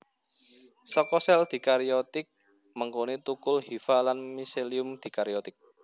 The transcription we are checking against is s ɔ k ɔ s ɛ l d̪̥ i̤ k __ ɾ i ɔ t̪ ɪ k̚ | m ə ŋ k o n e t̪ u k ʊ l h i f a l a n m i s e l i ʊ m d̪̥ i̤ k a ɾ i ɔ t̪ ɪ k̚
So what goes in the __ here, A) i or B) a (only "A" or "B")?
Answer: B